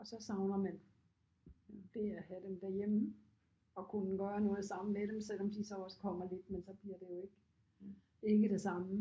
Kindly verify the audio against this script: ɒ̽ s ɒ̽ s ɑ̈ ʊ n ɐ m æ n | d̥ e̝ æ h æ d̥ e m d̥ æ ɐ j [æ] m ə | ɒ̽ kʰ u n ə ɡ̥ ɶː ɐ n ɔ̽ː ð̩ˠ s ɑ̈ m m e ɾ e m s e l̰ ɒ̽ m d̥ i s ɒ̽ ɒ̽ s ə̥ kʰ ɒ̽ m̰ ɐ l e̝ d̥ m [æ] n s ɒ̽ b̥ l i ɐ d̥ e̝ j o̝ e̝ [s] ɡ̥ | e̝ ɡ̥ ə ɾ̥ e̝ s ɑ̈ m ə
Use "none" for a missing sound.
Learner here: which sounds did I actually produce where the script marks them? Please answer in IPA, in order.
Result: e, e, none

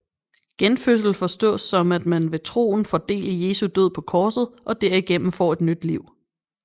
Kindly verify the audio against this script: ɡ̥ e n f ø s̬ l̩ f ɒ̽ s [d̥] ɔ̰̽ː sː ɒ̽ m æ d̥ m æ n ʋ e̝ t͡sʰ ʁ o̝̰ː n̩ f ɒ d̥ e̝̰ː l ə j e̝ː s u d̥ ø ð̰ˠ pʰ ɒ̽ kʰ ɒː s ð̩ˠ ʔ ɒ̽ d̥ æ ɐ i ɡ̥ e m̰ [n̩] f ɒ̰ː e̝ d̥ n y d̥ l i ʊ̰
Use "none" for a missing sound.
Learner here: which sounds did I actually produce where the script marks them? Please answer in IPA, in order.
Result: d̥, m̩

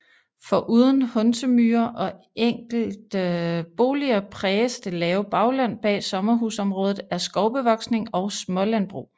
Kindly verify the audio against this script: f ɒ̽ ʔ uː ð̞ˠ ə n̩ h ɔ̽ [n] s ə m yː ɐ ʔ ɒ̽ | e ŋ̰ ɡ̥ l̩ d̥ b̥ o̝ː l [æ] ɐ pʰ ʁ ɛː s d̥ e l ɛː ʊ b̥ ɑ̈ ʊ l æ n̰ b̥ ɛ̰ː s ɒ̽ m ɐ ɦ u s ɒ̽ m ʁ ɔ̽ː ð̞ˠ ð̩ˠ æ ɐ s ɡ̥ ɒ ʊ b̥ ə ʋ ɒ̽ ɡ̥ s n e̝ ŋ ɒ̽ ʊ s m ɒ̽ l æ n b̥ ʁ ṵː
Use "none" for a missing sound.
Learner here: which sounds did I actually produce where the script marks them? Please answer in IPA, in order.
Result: n, i

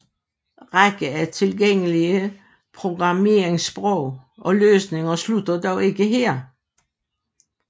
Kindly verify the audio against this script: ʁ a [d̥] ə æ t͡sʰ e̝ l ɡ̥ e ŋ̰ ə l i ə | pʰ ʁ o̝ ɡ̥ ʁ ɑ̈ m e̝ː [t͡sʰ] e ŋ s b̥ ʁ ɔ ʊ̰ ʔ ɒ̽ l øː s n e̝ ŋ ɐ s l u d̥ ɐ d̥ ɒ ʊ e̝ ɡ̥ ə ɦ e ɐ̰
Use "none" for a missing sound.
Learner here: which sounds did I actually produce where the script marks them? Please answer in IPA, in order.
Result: ɡ̥, none

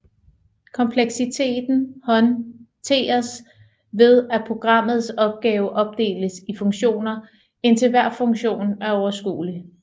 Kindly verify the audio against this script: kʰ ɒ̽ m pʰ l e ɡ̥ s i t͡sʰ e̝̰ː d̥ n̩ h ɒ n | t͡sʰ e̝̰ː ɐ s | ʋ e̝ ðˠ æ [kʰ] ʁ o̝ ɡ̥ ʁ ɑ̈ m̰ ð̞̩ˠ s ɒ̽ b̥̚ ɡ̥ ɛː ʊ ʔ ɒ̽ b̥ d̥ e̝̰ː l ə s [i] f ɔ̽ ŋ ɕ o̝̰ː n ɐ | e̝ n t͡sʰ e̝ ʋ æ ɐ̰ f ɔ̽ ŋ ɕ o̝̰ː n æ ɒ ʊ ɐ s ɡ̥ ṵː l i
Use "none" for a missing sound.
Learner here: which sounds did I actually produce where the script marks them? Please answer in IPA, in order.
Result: pʰ, i

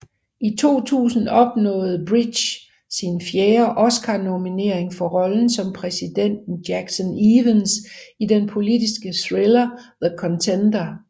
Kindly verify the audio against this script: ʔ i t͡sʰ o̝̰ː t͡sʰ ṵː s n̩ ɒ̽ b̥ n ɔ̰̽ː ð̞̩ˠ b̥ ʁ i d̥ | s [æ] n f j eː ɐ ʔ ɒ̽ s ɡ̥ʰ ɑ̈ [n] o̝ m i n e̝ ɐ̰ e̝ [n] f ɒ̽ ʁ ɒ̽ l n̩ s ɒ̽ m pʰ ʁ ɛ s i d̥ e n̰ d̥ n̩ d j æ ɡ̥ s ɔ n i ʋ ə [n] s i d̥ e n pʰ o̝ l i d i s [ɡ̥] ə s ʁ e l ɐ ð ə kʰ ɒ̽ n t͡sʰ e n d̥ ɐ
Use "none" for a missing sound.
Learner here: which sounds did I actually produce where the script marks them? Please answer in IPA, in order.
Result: i, n, ŋ, n, ɡ̥

